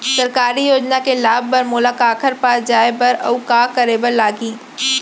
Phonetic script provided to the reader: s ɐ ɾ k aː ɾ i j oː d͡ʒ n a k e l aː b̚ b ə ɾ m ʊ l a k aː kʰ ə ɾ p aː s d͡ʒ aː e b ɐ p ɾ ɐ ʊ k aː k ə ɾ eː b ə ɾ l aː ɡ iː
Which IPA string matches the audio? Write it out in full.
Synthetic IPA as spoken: s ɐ ɾ k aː ɾ i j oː d͡ʒ n a k e l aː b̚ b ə ɾ m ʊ l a k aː kʰ ə ɾ p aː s d͡ʒ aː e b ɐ ɾ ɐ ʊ k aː k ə ɾ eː b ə ɾ l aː ɡ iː